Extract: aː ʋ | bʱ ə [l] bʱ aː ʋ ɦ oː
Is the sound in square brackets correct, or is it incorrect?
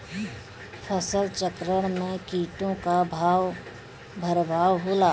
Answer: incorrect: ɾ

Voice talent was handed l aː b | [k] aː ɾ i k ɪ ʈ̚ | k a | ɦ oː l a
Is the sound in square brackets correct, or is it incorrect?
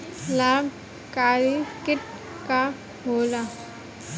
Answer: correct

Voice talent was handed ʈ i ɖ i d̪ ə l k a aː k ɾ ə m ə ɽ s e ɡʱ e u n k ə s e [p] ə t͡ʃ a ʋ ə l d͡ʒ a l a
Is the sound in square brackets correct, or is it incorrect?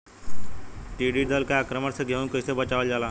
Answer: incorrect: b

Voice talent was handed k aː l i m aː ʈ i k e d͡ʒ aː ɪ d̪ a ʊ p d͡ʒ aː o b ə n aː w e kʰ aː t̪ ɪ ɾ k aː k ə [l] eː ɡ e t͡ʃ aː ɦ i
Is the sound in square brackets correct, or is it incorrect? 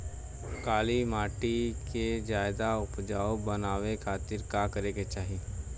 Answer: incorrect: ɾ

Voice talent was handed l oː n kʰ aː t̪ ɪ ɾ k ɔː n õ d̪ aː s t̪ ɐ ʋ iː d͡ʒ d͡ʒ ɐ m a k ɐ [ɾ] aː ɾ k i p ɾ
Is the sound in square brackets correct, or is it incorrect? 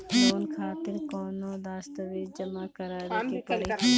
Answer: correct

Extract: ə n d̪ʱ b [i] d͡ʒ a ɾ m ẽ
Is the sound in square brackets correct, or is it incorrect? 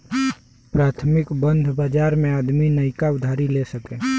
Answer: incorrect: a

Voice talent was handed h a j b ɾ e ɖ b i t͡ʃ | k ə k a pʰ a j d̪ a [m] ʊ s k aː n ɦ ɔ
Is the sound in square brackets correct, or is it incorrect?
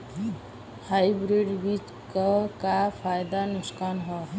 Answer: incorrect: n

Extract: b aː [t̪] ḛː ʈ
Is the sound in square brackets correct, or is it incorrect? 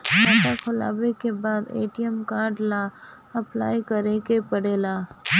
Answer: incorrect: d̪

